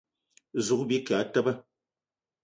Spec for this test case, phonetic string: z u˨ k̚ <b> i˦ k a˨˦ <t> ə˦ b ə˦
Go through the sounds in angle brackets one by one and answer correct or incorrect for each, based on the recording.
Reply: correct, correct

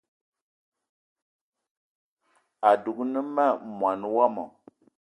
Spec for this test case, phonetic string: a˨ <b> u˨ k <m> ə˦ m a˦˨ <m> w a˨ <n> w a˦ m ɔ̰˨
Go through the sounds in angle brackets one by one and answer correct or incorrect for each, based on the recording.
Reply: incorrect: d, incorrect: n, correct, correct

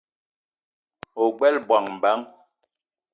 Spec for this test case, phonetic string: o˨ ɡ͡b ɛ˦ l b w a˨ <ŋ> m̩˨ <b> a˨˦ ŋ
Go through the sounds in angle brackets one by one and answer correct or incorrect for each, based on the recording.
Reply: correct, correct

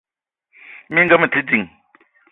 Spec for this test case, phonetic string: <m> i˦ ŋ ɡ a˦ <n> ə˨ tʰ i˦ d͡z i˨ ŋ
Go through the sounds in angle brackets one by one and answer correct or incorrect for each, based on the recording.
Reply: correct, incorrect: m

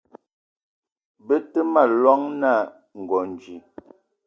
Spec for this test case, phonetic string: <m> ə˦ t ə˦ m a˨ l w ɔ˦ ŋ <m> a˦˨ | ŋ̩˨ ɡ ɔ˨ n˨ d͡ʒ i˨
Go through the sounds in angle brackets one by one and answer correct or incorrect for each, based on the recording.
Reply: incorrect: b, incorrect: n

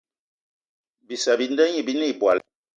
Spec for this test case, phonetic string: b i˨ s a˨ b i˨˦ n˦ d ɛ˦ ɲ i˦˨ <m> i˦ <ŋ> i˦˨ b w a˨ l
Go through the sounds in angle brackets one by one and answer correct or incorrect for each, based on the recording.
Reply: incorrect: b, incorrect: n

